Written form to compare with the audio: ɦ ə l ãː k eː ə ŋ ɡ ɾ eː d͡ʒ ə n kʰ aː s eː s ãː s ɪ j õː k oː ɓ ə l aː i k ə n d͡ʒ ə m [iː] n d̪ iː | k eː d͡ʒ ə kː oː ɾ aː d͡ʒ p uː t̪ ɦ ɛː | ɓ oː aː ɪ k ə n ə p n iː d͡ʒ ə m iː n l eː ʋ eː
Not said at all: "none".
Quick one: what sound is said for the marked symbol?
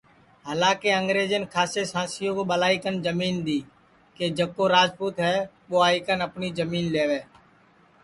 iː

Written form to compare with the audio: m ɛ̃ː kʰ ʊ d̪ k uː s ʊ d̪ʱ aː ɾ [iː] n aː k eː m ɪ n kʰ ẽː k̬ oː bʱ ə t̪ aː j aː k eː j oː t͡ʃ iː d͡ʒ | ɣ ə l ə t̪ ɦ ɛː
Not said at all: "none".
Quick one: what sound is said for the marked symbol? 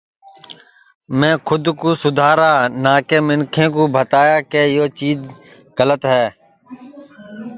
aː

